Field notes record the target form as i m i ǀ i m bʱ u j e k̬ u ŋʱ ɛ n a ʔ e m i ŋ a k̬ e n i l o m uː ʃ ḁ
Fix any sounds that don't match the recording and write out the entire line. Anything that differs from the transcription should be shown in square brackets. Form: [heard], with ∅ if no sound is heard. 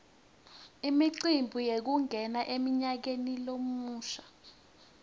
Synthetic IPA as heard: i m i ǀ i m bʱ u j e k̬ u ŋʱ ɛ n a ʔ e m i [ɲ] a k̬ e n i l o m uː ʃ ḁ